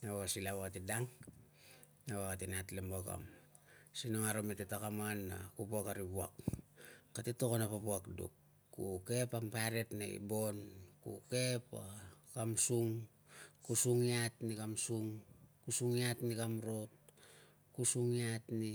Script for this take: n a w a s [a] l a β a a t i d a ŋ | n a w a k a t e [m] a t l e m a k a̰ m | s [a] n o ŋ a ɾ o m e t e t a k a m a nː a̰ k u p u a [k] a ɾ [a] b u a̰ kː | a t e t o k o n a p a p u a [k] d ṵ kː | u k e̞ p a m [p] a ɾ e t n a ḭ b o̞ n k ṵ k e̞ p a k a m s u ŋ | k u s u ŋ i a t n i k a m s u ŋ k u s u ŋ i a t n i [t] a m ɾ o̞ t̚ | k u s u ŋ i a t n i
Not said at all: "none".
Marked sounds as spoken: i, n, i, k, i, k, p, k

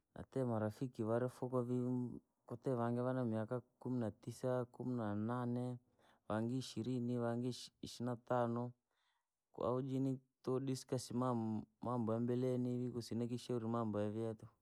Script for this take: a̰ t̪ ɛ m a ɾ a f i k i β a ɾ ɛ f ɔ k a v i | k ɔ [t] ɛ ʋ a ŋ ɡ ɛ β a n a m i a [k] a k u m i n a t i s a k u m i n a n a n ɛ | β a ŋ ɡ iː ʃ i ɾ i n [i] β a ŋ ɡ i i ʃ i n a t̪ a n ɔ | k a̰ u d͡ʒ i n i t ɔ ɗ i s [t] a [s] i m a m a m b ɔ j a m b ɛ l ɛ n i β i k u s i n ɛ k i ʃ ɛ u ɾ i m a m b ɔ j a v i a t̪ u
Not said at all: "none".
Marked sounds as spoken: t, k, i, k, s

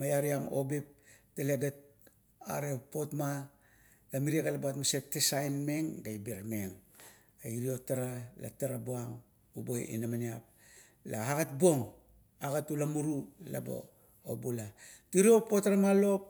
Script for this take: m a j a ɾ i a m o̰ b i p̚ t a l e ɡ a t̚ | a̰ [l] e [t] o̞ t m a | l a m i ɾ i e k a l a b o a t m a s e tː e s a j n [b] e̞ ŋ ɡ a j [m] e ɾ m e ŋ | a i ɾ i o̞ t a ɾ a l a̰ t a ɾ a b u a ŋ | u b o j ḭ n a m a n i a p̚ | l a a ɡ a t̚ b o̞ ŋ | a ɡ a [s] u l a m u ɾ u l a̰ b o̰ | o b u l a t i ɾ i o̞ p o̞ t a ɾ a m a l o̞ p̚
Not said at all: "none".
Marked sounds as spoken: ɾ, p, m, b, t

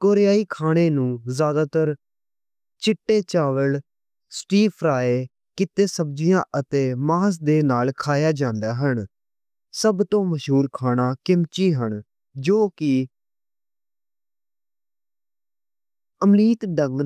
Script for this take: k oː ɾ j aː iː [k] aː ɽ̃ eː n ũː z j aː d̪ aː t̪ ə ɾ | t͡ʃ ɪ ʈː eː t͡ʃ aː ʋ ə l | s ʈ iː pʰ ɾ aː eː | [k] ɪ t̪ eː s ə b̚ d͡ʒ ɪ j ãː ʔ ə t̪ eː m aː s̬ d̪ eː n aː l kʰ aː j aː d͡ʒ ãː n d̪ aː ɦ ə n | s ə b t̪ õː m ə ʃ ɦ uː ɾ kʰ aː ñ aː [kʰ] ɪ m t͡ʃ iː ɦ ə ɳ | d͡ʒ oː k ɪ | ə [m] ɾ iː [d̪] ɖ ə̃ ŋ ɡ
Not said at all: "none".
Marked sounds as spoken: kʰ, k, k, m, t̪

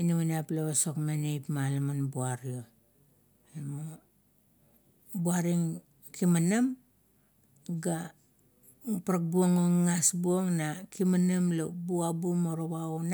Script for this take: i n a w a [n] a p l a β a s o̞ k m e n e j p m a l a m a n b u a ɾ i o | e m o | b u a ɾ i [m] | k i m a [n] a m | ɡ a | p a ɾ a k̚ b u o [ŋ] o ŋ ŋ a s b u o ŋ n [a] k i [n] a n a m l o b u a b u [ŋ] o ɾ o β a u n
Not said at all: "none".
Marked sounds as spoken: n, ŋ, n, ŋ, a, m, m

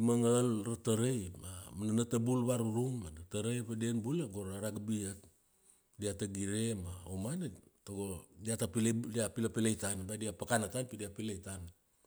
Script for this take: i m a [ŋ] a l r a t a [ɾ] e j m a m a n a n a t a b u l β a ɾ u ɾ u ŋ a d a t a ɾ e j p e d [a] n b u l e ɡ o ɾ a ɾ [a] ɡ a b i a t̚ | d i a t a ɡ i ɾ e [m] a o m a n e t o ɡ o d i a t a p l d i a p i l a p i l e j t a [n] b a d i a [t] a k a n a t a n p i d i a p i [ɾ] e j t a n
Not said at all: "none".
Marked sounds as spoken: ŋ, ɾ, e, a, m, n, p, l

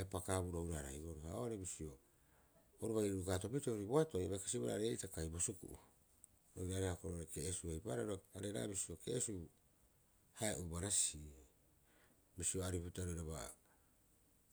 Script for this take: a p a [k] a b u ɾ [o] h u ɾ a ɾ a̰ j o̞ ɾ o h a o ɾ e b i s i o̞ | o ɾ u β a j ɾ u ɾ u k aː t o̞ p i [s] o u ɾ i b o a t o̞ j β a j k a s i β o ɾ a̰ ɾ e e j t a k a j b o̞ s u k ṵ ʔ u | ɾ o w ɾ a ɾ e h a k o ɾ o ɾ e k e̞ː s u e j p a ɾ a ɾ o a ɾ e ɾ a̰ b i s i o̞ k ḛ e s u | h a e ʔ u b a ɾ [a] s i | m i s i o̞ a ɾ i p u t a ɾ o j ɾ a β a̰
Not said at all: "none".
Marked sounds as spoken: k, o, t, a

